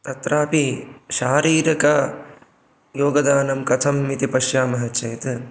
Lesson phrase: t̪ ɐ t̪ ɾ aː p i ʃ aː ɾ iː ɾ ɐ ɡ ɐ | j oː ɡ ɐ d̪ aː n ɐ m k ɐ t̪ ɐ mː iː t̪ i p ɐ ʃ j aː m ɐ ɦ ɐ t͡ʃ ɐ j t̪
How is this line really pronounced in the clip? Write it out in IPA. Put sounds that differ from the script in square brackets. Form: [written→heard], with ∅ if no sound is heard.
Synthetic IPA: t̪ ɐ t̪ ɾ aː p i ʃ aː ɾ iː ɾ ɐ [ɡ→k] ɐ | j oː ɡ ɐ d̪ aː n ɐ m k ɐ [t̪→t̪ʰ] ɐ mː [iː→i] t̪ i p ɐ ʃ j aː m ɐ ɦ ɐ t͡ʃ ɐ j t̪